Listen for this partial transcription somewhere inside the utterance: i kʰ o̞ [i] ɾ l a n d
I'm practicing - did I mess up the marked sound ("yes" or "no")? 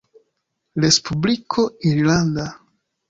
no